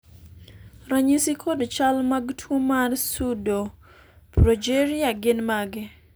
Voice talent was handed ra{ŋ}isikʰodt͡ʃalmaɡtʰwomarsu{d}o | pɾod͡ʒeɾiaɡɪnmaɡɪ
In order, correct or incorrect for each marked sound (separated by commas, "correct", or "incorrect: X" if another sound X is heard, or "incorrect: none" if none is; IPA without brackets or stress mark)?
incorrect: ɲ, correct